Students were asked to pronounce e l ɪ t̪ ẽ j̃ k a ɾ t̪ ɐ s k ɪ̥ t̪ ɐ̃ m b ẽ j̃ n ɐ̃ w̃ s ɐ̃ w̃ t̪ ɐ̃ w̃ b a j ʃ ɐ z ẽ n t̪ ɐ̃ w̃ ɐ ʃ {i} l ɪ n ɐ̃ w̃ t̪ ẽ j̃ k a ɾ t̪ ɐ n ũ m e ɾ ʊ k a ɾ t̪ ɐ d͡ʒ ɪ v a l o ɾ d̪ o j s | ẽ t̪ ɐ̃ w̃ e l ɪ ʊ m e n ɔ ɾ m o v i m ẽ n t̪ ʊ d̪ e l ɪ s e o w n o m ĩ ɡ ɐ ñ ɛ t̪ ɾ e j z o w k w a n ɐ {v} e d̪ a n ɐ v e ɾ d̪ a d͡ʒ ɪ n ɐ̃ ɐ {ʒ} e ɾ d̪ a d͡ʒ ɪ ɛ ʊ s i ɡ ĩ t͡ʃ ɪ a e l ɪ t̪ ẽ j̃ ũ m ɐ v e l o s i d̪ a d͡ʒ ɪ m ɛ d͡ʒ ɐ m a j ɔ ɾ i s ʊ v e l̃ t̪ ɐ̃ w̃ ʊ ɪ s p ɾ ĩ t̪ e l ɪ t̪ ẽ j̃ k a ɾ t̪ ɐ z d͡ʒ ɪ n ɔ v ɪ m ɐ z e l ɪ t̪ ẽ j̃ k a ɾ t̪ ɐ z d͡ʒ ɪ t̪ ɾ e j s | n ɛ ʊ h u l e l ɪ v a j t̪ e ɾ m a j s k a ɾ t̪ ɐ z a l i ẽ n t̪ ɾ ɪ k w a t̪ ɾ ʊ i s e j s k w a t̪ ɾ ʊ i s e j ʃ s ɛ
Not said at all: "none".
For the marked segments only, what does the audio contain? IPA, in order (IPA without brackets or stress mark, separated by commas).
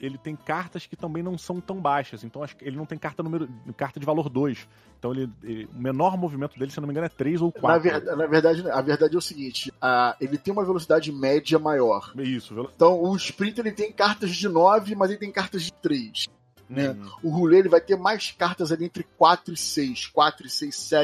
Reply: e, v, v